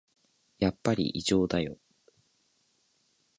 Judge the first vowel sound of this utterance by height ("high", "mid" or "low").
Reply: low